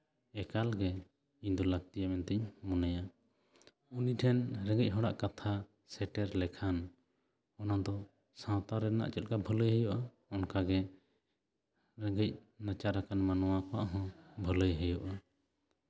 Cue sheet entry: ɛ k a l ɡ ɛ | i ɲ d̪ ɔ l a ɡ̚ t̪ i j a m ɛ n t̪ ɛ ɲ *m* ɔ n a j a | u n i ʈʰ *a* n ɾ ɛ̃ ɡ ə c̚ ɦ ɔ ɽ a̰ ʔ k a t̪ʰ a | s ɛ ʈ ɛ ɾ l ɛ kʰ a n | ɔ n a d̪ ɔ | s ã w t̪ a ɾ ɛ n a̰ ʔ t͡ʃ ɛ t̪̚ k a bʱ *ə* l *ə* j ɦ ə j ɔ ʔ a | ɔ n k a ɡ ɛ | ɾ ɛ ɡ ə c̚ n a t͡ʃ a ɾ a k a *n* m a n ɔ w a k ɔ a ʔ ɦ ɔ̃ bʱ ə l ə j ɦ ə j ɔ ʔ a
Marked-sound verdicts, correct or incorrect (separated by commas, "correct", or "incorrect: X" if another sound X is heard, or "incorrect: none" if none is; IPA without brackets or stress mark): correct, incorrect: ɛ, correct, correct, correct